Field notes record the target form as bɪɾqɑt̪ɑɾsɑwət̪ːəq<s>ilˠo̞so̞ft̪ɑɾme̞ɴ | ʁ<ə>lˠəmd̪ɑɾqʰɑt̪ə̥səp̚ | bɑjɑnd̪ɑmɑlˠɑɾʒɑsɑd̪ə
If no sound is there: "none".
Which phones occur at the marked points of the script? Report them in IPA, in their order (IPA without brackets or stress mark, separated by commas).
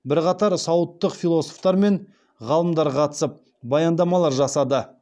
f, ɑ